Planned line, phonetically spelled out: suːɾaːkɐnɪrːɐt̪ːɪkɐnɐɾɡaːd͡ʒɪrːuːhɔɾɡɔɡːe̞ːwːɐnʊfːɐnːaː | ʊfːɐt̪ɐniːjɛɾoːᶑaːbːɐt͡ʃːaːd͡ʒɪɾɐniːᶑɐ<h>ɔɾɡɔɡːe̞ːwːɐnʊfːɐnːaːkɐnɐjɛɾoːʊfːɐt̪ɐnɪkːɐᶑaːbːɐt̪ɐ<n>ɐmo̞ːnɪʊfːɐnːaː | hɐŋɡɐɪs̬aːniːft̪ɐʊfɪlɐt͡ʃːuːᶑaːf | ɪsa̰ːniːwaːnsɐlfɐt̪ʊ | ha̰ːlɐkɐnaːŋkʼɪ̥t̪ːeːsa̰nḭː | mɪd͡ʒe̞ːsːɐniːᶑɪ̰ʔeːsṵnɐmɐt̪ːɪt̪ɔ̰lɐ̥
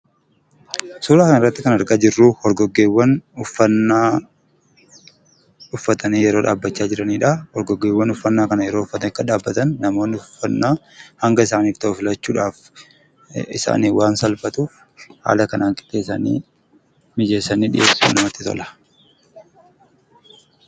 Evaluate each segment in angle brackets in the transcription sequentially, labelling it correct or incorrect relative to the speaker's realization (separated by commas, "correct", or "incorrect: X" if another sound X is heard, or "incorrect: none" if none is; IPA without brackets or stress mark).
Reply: correct, incorrect: nː